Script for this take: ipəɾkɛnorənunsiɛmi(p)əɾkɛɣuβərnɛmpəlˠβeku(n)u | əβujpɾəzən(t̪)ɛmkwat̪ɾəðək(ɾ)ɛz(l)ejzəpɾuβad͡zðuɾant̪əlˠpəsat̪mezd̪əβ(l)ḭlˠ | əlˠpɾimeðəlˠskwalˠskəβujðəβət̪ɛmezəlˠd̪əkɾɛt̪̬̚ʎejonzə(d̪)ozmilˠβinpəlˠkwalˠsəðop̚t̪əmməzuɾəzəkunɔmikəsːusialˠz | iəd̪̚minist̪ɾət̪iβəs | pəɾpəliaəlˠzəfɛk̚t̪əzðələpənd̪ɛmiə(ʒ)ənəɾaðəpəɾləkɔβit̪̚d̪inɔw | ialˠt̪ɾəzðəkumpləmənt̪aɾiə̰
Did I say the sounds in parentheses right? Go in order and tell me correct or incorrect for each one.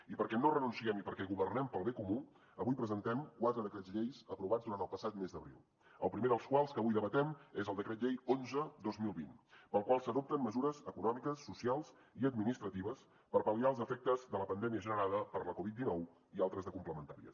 correct, incorrect: m, correct, correct, incorrect: ʎ, incorrect: ɾ, correct, correct

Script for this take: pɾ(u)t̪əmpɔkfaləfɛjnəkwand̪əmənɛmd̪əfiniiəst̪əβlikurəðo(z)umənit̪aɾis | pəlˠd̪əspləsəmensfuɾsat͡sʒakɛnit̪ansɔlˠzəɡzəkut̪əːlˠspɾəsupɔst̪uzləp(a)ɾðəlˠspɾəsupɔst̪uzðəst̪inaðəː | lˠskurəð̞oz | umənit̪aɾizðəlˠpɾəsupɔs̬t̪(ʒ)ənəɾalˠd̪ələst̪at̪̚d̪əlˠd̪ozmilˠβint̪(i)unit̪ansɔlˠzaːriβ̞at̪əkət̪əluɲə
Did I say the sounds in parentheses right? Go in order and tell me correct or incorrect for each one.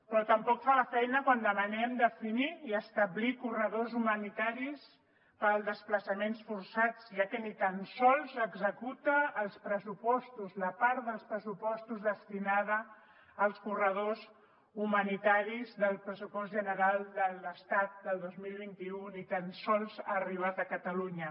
incorrect: ɔ, correct, correct, correct, correct

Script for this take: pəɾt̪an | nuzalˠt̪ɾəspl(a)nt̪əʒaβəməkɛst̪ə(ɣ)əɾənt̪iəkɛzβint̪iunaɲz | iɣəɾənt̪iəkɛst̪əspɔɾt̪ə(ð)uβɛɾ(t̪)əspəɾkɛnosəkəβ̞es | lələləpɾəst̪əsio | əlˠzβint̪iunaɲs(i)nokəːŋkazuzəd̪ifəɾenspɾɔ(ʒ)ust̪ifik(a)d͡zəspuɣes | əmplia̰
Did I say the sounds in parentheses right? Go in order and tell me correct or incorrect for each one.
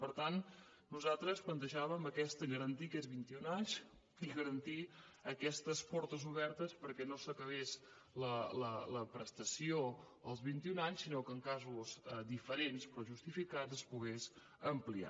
incorrect: ə, correct, incorrect: z, correct, correct, correct, correct

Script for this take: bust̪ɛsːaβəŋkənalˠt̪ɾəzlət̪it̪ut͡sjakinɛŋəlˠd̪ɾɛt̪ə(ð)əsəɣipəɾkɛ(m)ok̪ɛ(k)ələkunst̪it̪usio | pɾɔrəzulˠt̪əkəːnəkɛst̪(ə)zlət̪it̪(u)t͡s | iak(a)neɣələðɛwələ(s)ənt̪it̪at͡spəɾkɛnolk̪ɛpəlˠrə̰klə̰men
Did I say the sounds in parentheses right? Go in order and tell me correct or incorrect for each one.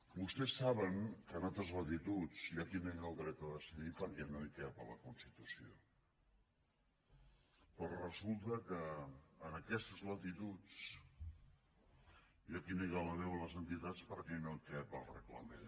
correct, incorrect: n, incorrect: p, correct, correct, incorrect: i, incorrect: z

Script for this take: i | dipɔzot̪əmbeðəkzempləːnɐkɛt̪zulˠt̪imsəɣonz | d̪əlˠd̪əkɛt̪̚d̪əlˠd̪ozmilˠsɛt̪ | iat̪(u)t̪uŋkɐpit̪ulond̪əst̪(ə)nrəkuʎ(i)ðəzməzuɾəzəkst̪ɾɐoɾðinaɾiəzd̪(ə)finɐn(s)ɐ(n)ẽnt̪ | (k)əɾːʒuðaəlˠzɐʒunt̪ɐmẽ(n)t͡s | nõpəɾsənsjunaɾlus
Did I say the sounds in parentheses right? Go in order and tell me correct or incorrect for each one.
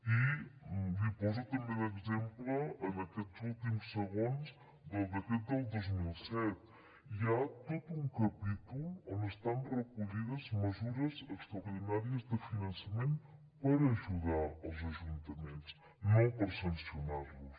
incorrect: o, incorrect: a, correct, correct, correct, incorrect: m, incorrect: p, correct

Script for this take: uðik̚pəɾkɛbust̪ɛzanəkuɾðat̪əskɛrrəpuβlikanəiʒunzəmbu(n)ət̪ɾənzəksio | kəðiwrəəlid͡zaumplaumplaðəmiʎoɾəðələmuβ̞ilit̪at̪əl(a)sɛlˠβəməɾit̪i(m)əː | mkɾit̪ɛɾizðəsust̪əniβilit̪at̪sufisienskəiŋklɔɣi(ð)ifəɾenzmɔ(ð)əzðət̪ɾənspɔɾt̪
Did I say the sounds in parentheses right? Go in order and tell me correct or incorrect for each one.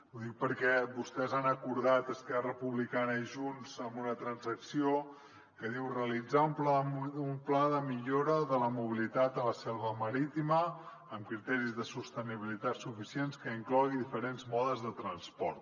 correct, incorrect: ə, correct, correct, correct

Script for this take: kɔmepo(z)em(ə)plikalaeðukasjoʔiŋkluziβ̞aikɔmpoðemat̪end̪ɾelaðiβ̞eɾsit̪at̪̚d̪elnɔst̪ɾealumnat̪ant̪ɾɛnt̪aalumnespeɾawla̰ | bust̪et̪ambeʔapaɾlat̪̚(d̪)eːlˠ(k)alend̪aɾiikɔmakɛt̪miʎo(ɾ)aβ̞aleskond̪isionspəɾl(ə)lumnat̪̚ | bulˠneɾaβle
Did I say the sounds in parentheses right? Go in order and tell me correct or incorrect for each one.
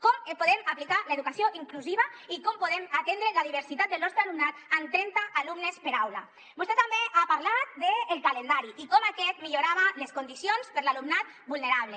incorrect: ð, incorrect: a, correct, correct, correct, incorrect: a

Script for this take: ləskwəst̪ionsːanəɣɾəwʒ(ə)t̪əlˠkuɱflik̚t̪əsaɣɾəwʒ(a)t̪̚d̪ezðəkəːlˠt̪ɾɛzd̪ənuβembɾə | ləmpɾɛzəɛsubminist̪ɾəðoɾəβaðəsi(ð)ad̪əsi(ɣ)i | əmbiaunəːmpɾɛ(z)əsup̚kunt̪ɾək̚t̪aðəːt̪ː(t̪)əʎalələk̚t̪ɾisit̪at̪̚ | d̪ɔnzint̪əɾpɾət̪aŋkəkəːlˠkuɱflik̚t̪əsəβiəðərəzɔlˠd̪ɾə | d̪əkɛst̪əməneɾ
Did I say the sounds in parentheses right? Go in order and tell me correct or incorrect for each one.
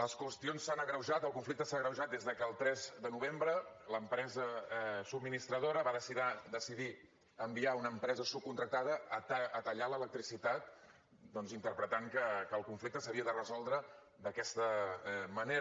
incorrect: a, correct, correct, incorrect: ð, correct, correct

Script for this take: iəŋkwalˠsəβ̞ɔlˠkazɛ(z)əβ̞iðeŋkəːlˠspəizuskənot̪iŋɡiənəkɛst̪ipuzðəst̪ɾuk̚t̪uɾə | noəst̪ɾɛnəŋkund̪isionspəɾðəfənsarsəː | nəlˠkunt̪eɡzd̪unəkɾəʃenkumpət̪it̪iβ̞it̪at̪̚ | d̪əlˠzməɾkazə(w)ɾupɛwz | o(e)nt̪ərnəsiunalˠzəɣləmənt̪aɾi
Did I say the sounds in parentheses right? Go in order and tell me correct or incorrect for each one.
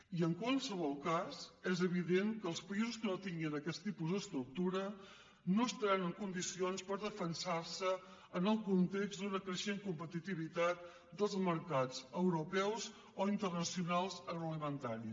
correct, correct, incorrect: i

